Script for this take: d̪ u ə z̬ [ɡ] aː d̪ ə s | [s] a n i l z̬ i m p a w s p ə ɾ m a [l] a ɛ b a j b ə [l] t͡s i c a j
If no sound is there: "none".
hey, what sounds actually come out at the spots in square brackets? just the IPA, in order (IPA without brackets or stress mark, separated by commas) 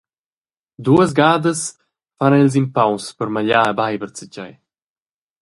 ɡ, f, ʎ, ɾ